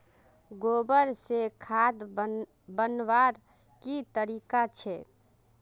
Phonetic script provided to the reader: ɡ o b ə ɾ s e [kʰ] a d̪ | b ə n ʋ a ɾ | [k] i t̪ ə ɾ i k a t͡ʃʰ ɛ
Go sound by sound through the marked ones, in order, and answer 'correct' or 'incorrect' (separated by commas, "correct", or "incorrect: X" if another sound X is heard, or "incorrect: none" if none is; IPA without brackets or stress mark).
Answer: correct, correct